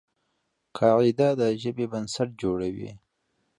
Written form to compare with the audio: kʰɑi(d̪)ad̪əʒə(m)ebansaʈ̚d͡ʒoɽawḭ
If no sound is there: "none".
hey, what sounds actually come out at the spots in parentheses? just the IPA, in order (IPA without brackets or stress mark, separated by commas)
d̪, b